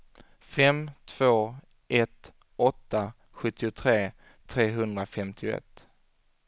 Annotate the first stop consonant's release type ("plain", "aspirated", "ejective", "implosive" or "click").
aspirated